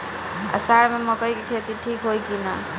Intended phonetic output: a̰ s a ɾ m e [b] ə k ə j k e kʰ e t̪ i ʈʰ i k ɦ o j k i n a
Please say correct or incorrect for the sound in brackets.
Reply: incorrect